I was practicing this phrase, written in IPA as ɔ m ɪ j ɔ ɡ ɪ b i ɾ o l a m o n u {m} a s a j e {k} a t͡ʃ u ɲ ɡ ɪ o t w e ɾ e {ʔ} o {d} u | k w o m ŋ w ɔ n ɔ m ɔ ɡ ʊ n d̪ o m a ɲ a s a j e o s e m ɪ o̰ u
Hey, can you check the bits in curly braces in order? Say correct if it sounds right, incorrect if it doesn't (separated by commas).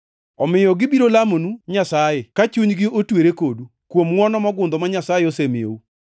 incorrect, correct, incorrect, correct